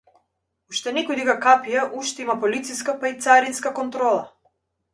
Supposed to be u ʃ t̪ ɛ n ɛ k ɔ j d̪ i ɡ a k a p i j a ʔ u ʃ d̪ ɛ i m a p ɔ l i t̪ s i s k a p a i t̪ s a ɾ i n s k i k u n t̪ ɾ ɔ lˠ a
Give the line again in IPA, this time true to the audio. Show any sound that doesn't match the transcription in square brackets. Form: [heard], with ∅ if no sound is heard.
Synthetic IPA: u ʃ t̪ ɛ n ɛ k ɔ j d̪ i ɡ a k a p i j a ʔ u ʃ [t̪] ɛ i m a p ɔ l i t̪ s i s k a p a i t̪ s a ɾ i n s k [a] k [ɔ] n t̪ ɾ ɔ lˠ a